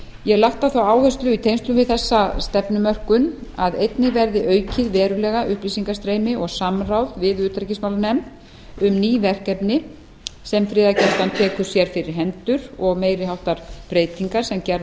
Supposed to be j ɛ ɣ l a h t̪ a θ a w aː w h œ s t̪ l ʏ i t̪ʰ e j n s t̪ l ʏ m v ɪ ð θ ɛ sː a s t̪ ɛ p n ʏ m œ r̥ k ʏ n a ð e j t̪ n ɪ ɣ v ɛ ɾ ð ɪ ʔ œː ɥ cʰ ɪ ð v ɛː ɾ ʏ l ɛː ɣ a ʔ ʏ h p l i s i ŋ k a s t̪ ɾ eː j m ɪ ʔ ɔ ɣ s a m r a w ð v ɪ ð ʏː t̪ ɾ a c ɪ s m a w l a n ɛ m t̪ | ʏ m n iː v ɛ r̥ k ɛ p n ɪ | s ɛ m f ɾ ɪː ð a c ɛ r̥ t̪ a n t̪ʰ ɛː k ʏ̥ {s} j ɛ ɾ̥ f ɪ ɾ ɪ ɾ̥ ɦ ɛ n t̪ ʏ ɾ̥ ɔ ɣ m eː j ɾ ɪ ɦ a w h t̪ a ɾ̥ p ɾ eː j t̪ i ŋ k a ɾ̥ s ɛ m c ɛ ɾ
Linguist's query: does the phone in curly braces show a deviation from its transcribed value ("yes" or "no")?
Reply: no